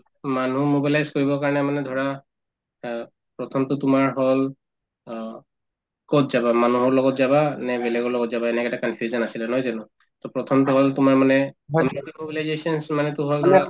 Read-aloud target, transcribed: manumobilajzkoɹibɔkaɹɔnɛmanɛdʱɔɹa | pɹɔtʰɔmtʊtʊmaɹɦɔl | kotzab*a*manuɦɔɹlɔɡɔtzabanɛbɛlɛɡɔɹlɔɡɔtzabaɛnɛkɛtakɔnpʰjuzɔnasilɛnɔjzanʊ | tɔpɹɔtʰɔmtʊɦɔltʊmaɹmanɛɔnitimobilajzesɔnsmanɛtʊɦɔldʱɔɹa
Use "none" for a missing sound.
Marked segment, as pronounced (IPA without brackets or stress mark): a